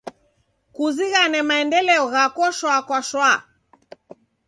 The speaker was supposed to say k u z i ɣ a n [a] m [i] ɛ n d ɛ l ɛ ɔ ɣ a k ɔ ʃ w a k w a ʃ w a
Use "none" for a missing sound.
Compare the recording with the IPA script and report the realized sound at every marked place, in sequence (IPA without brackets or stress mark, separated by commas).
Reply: ɛ, a